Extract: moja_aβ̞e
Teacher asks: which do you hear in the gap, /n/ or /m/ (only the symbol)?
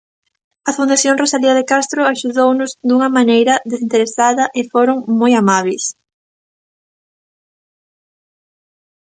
m